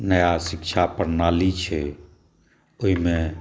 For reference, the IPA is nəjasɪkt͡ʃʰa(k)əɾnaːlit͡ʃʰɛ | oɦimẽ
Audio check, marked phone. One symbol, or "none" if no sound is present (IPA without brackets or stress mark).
p